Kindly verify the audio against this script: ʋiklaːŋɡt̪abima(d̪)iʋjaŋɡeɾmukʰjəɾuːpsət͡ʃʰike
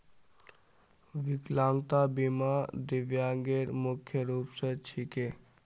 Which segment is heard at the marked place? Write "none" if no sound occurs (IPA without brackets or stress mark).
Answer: d̪